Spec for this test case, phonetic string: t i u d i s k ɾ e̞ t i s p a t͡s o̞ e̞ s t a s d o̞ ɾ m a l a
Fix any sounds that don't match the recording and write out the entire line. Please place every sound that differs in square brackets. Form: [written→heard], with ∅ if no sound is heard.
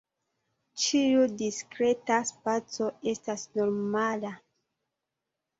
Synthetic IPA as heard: [t→t͡ʃ] i u d i s k ɾ e̞ t [i→a] s p a t͡s o̞ e̞ s t a s [d→n] o̞ ɾ m a l a